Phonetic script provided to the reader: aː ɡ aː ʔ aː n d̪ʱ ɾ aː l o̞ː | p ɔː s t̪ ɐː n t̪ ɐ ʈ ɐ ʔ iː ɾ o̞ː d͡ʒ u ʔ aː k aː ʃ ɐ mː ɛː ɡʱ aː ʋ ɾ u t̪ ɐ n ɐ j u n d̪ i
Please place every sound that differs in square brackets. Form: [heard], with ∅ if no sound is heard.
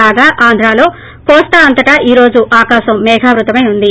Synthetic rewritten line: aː ɡ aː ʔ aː n d̪ʱ ɾ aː l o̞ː | [k] ɔː s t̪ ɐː n t̪ ɐ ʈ ɐ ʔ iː ɾ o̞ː d͡ʒ u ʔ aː k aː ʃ ɐ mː ɛː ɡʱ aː ʋ ɾ u t̪ ɐ [m] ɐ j u n d̪ i

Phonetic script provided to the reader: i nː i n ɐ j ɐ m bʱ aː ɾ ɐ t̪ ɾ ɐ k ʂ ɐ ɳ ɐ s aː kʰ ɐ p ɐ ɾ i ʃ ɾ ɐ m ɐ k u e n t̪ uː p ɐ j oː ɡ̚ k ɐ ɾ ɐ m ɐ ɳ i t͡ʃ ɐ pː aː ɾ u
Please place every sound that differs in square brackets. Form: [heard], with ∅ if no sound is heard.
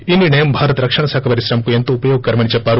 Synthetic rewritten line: i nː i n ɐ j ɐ m bʱ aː ɾ ɐ t̪ ɾ ɐ k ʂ ɐ ɳ ɐ s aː kʰ ɐ p ɐ ɾ i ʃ ɾ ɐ m ɐ k u e n t̪ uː p ɐ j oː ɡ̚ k ɐ ɾ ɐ m ɐ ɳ i t͡ʃ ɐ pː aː ɾ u

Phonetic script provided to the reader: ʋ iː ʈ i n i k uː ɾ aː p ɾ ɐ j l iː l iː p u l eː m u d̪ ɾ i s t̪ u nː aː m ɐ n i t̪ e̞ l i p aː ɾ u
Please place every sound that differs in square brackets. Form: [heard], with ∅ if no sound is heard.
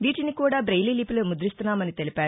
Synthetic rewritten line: ʋ iː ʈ i n i k uː [ɽ] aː [b] ɾ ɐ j l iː l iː p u l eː m u d̪ ɾ i s t̪ u nː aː m ɐ n i t̪ e̞ l i p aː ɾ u

